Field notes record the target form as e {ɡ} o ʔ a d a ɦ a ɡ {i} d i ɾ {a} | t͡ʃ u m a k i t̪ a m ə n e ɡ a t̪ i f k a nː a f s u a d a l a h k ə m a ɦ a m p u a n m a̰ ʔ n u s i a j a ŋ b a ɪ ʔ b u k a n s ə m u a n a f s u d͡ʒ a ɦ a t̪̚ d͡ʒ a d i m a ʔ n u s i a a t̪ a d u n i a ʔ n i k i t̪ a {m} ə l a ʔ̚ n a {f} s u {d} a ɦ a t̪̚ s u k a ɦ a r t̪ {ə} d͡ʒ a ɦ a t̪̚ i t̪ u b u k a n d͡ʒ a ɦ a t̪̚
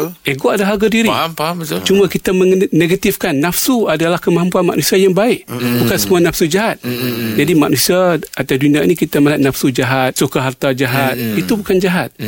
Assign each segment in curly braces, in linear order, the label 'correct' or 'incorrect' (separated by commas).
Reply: correct, incorrect, incorrect, correct, correct, incorrect, incorrect